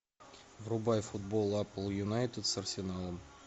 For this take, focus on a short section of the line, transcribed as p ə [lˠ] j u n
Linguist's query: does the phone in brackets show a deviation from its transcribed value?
no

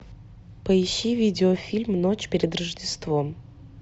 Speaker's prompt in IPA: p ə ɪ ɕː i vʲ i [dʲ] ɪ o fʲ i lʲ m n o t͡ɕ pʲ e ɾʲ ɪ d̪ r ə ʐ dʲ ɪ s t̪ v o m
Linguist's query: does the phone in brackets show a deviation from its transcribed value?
no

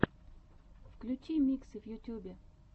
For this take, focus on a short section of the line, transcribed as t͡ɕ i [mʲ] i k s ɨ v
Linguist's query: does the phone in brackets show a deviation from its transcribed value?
no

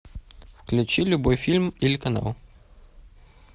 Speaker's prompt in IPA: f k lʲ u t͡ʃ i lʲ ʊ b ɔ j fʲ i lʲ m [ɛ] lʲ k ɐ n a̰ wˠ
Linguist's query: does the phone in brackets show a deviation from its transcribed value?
yes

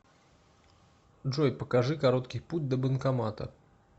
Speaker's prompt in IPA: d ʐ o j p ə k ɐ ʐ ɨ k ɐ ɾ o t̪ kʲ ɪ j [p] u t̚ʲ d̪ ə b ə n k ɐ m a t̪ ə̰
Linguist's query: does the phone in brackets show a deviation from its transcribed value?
no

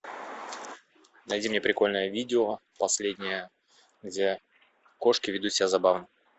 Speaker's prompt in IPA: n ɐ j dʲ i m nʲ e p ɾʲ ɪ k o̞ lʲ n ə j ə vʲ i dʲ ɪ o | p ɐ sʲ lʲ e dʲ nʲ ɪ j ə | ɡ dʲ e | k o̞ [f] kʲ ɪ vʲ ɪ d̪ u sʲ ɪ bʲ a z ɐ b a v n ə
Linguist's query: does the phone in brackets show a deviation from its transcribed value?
yes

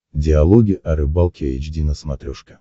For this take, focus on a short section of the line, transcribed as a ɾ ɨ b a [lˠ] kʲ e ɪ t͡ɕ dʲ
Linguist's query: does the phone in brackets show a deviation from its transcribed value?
no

